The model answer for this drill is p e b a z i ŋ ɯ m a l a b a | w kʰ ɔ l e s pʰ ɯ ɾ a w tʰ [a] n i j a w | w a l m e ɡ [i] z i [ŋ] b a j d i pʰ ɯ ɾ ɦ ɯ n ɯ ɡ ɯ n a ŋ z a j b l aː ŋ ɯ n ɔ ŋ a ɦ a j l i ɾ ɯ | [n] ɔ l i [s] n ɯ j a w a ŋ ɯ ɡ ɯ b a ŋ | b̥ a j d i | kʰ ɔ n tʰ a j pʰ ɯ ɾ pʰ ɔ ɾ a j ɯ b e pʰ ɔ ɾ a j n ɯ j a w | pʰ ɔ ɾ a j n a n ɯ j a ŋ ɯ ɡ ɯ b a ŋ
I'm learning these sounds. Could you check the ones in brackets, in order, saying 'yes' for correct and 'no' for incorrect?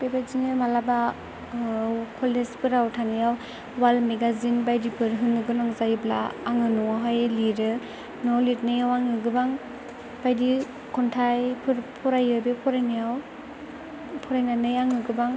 yes, no, no, yes, no

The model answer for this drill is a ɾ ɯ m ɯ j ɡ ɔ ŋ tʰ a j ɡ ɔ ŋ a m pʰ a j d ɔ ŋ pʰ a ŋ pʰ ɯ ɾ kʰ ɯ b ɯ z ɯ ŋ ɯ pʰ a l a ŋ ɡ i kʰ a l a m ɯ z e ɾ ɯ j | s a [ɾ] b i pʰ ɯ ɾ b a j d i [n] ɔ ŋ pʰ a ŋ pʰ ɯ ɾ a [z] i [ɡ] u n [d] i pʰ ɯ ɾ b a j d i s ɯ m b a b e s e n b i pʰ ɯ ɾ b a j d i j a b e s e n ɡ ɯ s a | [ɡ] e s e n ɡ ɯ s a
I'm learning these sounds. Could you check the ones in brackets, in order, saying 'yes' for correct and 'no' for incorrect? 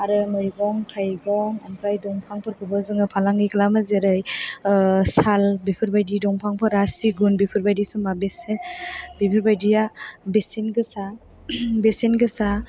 no, no, no, yes, no, no

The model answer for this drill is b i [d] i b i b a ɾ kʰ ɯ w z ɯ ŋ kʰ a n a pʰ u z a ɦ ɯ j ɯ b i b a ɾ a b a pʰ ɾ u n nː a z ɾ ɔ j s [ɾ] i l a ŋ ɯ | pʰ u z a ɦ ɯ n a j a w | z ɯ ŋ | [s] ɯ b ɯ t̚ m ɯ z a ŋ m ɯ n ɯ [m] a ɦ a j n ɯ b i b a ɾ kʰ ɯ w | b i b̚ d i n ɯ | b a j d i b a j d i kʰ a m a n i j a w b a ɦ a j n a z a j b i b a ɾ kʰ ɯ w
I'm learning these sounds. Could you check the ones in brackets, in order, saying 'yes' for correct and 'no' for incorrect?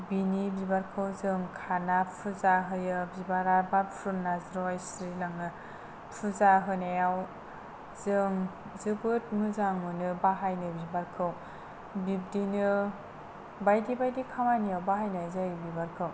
no, yes, no, no

